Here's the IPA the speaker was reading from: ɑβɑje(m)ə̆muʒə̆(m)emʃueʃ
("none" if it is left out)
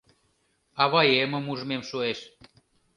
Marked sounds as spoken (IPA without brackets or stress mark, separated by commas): m, m